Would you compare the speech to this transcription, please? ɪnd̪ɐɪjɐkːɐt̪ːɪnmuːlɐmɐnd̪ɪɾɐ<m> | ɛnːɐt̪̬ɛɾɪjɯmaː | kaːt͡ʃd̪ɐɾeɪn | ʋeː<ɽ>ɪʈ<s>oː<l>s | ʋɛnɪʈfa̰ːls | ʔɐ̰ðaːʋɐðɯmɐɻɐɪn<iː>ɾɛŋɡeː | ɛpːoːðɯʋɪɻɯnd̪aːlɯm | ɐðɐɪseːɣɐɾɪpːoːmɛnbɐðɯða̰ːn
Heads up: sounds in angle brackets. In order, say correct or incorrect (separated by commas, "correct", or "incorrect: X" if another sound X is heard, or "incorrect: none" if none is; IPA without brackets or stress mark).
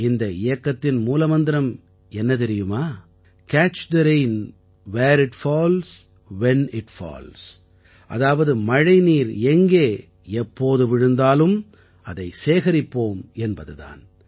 correct, incorrect: ɾ, incorrect: f, correct, correct